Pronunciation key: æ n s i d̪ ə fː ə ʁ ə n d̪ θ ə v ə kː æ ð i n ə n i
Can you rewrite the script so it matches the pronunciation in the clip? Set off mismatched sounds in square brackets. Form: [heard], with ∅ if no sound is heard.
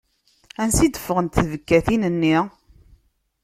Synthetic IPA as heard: æ n s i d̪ ə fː ə ʁ ə n [t̪] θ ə v ə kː æ [θ] i n ə [nː] i